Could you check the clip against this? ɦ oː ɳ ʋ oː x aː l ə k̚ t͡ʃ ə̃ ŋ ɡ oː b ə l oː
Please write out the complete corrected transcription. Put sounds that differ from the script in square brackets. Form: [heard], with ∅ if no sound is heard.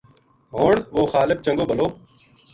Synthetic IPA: ɦ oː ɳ ʋ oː x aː l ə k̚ t͡ʃ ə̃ ŋ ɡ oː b ə l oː